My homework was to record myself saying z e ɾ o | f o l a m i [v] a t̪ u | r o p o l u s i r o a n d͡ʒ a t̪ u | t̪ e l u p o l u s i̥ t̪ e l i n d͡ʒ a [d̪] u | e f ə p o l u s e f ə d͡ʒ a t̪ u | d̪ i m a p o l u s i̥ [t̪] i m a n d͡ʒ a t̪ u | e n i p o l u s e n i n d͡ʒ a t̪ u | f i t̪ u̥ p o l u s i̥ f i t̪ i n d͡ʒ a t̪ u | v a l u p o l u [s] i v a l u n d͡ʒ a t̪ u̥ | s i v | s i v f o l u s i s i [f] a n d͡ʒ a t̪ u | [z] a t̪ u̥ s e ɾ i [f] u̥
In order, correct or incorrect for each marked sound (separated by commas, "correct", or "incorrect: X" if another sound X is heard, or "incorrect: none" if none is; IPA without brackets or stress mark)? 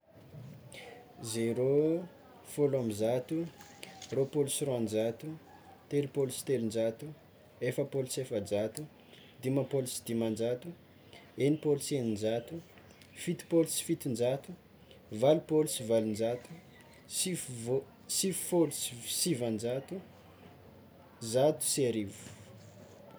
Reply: incorrect: z, incorrect: t̪, incorrect: d̪, correct, incorrect: v, correct, incorrect: v